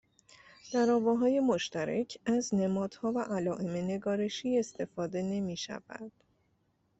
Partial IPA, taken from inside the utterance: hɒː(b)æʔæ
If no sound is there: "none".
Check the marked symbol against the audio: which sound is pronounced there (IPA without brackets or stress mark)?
v